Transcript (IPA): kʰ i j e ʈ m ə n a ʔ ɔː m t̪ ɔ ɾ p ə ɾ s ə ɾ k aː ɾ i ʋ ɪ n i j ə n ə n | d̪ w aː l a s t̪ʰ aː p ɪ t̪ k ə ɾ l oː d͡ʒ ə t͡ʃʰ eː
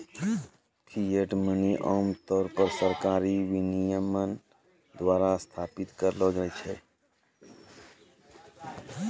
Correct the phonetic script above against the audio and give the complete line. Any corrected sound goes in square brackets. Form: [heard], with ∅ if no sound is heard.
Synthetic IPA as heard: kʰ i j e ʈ m ə n [i] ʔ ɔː m t̪ [ɔː] ɾ p ə ɾ s ə ɾ k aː ɾ i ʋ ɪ n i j ə [m] ə n | d̪ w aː [ɾ] a s t̪ʰ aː p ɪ t̪ k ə ɾ l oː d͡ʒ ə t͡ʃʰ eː